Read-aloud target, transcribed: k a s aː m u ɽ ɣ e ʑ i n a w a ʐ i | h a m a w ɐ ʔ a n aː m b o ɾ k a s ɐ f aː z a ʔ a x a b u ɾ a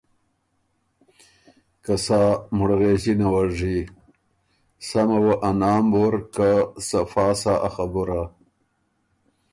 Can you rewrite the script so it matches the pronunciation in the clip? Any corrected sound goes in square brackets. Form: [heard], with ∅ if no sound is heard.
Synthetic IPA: k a s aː m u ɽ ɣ e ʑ i n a w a ʐ i | [s] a m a w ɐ ʔ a n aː m b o ɾ k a s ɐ f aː [s] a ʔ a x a b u ɾ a